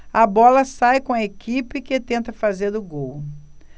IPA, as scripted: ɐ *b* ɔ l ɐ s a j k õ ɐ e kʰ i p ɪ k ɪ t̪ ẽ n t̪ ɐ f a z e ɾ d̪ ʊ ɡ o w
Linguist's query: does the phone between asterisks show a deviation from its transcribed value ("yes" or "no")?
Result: no